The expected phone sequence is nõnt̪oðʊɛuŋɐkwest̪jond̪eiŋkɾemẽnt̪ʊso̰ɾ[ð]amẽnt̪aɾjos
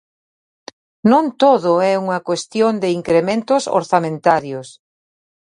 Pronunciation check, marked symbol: incorrect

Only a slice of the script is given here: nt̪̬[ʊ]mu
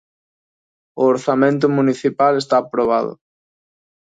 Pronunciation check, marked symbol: correct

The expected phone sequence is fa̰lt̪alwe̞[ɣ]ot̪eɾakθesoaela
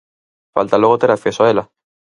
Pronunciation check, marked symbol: correct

